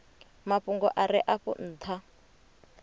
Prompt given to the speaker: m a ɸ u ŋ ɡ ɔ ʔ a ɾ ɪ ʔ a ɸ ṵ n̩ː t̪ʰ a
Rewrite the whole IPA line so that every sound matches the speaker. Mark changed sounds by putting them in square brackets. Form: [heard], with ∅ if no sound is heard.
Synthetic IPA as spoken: m a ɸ u ŋ ɡ ɔ ʔ a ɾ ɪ ʔ a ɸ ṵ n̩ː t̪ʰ a